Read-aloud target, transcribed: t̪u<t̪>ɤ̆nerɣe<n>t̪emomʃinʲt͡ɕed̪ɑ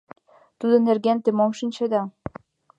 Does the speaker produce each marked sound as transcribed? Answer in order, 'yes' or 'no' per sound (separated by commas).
no, yes